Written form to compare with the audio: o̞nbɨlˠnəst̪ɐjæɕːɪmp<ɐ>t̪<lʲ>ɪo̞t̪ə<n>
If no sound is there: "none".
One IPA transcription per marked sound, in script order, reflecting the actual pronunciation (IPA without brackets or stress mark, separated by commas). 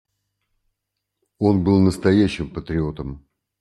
ə, ɾʲ, m